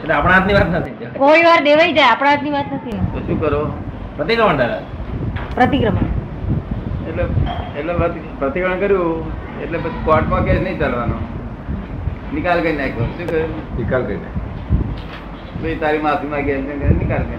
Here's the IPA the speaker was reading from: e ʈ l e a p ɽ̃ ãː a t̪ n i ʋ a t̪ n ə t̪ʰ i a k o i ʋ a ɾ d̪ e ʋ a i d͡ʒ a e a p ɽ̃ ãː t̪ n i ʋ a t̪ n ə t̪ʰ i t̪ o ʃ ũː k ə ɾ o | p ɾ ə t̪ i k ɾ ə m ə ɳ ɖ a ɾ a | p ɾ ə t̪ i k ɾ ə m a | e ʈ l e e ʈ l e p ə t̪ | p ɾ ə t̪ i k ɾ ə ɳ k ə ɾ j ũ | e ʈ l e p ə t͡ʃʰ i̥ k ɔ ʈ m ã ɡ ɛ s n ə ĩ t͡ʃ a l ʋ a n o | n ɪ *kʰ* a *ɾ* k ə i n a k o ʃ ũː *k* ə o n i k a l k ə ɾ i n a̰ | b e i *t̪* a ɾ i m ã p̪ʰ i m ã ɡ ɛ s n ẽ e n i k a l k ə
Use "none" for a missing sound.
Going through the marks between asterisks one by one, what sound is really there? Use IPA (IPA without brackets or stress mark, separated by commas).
k, l, k, t̪